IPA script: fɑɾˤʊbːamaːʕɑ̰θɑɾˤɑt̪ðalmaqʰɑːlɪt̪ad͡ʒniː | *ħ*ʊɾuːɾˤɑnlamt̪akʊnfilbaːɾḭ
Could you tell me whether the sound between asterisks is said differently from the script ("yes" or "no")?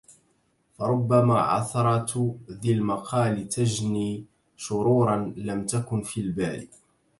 yes